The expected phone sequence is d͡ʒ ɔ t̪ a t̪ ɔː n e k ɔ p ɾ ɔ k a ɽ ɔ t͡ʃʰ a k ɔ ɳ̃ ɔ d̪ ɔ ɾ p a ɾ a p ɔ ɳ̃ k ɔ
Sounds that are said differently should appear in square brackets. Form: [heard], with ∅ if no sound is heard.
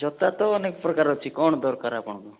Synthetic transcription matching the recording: d͡ʒ ɔ t̪ a t̪ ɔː n e k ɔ p ɾ ɔ k a [ɾ] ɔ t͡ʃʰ [i] k ɔ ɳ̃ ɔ d̪ ɔ ɾ [k] a ɾ a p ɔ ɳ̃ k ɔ